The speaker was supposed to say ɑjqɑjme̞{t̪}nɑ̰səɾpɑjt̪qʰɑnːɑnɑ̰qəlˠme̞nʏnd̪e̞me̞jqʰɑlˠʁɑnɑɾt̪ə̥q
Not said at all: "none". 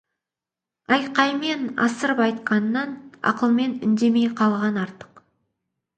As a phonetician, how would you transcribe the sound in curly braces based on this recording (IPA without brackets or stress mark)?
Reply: none